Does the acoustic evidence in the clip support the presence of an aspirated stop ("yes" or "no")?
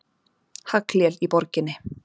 no